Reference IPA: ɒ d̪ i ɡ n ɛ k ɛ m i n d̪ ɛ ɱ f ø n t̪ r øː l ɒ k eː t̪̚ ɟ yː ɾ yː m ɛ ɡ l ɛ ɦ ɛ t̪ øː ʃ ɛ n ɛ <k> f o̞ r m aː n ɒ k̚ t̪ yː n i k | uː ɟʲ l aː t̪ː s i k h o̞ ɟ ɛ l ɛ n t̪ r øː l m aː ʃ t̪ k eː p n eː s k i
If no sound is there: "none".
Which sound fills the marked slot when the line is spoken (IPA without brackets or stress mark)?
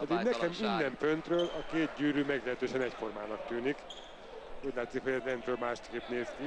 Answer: c